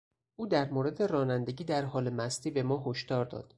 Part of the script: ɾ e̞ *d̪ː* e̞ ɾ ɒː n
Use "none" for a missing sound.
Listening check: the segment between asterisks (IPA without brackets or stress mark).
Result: d̪